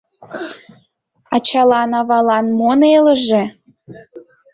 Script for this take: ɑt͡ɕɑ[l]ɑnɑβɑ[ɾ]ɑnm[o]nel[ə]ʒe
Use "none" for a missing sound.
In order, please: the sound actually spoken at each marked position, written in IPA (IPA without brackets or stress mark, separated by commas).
l, l, o, ə